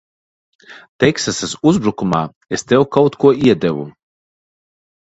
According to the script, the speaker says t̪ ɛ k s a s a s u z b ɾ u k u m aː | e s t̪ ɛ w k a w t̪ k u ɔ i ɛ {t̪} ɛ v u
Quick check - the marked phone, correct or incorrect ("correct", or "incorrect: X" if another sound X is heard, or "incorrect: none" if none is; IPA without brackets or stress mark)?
incorrect: d̪